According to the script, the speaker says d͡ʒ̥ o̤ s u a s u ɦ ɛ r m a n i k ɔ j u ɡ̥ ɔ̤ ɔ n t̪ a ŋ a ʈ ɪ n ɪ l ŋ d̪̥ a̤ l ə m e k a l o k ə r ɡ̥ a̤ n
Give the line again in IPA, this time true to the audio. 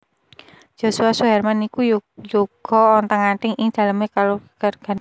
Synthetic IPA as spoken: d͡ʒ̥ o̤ s u a s u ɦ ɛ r m a n i k u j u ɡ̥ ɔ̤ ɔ n t̪ a ŋ a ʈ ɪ ŋ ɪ ŋ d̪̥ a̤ l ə m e k a l o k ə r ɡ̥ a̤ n